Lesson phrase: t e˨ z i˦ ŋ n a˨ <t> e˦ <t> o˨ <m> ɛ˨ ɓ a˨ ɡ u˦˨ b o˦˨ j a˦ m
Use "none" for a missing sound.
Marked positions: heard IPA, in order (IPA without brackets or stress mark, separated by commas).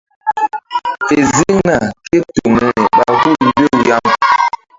k, t, m